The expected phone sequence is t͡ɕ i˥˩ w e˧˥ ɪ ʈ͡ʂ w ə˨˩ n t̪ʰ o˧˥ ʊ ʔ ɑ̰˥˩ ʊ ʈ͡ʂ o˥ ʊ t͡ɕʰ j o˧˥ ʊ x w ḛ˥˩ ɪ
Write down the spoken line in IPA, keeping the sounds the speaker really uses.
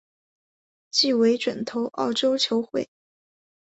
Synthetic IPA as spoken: t͡ɕ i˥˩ w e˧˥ ɪ ʈ͡ʂ w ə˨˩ n t̪ʰ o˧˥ ʊ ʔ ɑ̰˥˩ ʊ ʈ͡ʂ o˥ ʊ t͡ɕʰ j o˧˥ ʊ x w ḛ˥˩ ɪ